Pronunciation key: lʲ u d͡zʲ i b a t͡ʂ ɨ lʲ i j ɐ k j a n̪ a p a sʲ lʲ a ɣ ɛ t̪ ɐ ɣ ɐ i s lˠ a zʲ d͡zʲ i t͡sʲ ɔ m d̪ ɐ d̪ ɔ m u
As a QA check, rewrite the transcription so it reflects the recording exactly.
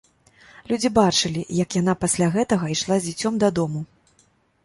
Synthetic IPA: lʲ u d͡zʲ i b a t͡ʂ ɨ lʲ i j ɐ k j a n̪ a p a sʲ lʲ a ɣ ɛ t̪ ɐ ɣ ɐ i ʂ lˠ a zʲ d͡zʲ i t͡sʲ ɔ m d̪ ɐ d̪ ɔ m u